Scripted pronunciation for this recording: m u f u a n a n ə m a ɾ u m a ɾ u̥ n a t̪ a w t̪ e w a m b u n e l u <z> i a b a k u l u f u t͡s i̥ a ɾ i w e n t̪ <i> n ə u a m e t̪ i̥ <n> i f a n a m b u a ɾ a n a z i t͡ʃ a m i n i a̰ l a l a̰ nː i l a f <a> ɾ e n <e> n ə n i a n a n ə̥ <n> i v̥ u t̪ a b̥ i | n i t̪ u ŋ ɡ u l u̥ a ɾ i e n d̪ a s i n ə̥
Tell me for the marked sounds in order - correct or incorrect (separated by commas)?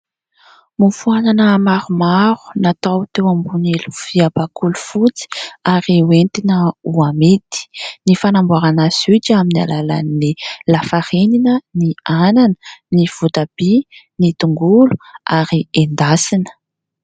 incorrect, correct, correct, correct, incorrect, correct